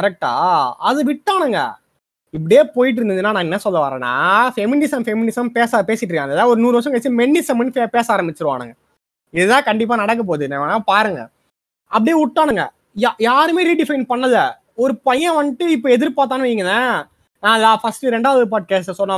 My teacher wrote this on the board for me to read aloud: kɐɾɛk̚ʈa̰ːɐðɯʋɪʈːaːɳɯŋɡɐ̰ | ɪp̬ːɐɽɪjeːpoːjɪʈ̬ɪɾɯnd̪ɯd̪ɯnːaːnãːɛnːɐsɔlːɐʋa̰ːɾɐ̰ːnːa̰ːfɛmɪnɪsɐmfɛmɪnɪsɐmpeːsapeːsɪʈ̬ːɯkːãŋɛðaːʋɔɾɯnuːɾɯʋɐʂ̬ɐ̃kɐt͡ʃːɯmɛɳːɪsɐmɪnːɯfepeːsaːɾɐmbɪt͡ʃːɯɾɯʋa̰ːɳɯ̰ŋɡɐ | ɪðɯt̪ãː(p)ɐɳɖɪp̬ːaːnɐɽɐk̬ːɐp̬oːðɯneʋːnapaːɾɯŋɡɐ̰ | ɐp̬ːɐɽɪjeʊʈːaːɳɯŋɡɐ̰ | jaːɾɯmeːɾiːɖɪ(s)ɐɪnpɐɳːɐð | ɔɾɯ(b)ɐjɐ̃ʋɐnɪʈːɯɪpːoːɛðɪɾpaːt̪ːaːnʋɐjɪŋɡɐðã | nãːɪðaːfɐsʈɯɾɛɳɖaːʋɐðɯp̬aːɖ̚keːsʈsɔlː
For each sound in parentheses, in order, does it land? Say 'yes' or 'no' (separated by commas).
no, no, no